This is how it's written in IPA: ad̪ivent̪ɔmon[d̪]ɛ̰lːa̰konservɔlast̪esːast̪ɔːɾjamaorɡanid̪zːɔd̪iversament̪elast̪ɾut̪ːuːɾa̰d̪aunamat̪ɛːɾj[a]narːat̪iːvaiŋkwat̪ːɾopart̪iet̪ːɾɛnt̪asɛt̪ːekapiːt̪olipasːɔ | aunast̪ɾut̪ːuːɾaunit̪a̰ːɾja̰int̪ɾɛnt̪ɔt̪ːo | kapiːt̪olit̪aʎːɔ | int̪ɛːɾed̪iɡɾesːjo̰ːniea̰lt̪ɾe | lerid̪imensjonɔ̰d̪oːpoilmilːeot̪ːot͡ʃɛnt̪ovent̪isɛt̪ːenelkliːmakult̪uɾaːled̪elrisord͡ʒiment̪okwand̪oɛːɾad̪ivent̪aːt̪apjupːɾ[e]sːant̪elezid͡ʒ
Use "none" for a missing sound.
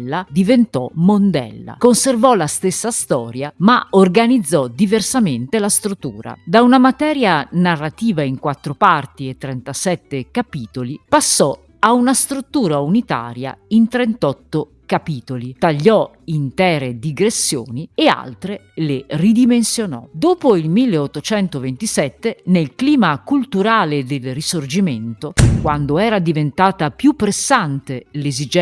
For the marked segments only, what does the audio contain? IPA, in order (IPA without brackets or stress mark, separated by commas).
d̪, a, e